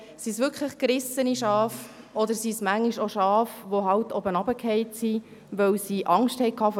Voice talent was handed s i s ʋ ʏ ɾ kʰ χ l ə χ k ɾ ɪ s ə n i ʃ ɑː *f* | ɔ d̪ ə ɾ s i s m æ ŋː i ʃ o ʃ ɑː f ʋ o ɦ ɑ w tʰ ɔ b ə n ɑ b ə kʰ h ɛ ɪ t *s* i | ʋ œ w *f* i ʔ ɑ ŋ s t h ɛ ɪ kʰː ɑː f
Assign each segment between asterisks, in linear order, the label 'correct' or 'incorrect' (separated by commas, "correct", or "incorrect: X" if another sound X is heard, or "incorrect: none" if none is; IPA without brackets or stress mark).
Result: correct, correct, incorrect: s